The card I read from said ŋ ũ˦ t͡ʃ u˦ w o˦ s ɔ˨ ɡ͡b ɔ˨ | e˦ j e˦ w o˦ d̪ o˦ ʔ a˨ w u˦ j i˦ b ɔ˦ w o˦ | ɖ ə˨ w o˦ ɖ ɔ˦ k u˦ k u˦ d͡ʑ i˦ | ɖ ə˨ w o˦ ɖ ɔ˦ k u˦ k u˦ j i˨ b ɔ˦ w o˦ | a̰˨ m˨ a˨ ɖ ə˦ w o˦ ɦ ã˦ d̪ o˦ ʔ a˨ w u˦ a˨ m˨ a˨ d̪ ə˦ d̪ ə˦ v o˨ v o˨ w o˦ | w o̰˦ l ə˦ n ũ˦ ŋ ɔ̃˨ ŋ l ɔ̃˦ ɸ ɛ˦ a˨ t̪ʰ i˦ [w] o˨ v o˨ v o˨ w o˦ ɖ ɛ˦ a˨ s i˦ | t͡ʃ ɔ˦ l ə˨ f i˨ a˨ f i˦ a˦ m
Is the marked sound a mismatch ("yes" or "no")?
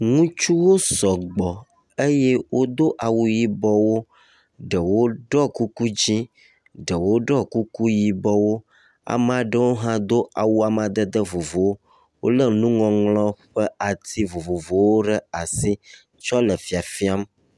yes